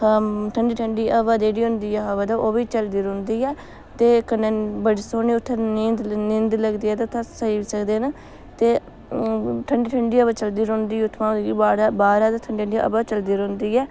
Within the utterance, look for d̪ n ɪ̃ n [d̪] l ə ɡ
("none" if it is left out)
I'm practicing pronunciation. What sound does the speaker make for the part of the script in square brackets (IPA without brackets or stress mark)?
d̪